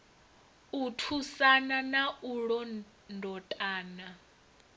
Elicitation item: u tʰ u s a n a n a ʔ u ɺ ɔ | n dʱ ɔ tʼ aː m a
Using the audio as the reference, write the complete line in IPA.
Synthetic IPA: u tʰ u s a n a n a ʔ u ɺ ɔ | n dʱ ɔ tʼ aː n a